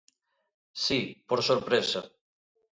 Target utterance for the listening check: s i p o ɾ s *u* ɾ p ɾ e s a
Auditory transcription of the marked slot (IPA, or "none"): o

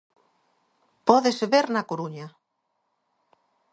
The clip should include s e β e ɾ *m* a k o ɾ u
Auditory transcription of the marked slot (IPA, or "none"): n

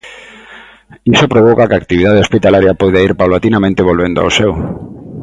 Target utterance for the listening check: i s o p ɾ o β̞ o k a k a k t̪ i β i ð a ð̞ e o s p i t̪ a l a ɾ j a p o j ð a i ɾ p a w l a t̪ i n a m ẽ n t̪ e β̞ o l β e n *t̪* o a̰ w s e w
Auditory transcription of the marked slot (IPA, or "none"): d̪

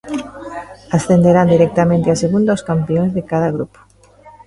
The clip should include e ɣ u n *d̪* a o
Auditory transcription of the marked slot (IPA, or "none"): d̪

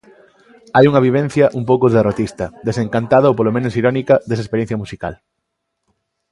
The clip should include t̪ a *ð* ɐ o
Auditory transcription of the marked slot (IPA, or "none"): ð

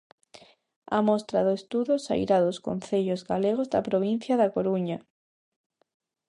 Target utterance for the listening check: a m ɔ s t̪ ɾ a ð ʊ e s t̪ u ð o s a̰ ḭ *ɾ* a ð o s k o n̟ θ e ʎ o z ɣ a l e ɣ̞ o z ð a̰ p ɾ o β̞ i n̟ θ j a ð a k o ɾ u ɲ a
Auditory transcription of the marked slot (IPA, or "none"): ɾ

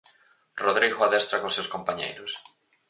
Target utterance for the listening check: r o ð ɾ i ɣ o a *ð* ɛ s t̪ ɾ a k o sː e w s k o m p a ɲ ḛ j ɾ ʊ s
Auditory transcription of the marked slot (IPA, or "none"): ð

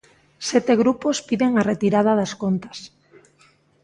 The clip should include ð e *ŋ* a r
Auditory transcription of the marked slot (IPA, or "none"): ŋ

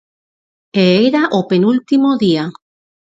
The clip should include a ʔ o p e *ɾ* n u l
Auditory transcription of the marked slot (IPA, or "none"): none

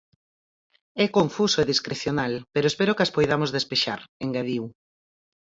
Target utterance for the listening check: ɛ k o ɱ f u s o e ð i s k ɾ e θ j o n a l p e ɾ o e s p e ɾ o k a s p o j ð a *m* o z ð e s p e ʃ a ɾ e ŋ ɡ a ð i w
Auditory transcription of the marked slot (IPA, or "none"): m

